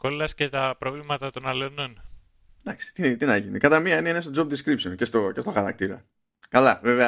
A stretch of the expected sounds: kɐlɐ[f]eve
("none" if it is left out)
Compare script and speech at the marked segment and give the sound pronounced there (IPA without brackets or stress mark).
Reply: v